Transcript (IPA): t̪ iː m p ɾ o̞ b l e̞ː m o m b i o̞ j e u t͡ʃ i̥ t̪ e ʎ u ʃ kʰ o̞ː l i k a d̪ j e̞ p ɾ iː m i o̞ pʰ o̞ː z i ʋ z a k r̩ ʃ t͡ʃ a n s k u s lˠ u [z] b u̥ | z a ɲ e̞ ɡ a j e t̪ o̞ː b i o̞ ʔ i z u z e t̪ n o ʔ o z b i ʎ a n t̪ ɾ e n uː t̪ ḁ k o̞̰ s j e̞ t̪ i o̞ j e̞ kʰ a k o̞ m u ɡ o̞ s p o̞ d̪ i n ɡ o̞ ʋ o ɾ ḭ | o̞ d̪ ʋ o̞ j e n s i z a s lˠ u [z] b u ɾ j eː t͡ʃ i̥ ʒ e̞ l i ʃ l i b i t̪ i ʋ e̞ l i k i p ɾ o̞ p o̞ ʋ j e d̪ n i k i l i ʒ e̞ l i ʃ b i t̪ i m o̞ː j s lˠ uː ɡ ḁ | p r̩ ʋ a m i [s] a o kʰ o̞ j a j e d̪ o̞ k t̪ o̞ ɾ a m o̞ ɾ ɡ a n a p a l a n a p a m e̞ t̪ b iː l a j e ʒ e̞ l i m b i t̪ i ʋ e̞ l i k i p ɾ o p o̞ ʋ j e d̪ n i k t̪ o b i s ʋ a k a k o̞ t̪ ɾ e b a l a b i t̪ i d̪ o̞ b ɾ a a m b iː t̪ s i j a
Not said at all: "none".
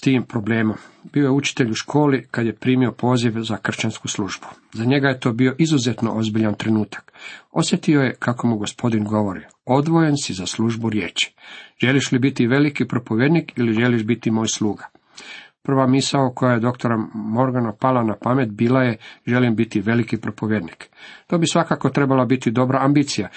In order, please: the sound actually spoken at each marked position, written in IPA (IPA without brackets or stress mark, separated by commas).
ʒ, ʒ, s